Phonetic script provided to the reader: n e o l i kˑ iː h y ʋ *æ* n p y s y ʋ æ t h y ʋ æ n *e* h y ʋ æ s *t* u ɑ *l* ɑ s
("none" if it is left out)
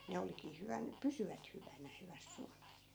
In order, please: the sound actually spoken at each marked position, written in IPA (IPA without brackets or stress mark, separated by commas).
æ, æ, s, l